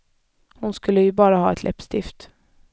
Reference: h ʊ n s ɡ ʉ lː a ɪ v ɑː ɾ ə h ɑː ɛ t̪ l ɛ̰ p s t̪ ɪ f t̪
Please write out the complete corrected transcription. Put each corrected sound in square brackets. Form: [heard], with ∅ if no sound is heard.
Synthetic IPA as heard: h ʊ n s [k] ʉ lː [ə] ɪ [b] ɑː ɾ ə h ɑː ɛ t̪ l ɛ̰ p s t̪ ɪ f t̪